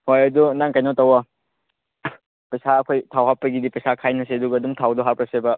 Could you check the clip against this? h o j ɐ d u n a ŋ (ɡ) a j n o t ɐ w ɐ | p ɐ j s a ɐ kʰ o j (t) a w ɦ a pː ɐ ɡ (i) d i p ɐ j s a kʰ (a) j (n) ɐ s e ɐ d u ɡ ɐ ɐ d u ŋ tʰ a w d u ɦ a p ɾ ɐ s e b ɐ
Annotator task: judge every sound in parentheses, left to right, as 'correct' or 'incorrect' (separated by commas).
incorrect, incorrect, correct, correct, correct